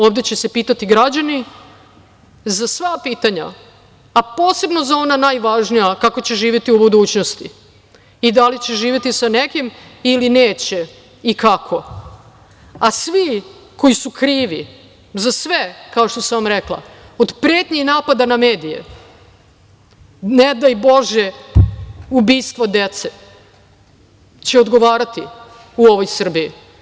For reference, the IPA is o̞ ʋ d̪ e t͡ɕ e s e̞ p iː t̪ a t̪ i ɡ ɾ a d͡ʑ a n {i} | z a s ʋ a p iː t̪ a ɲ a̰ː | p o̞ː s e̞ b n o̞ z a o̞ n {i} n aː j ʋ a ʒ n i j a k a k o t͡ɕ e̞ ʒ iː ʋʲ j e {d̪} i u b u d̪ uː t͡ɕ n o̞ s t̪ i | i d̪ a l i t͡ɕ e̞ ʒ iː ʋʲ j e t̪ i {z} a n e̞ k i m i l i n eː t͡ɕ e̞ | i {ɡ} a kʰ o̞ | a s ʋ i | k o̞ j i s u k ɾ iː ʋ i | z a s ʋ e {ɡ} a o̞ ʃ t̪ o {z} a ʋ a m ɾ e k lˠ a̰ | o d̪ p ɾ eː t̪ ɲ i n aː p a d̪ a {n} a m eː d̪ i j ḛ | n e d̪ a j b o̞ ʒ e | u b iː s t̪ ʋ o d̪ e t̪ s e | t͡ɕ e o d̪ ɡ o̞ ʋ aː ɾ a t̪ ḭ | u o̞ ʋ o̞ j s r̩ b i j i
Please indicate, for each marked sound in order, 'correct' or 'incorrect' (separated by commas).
correct, incorrect, incorrect, incorrect, incorrect, incorrect, incorrect, correct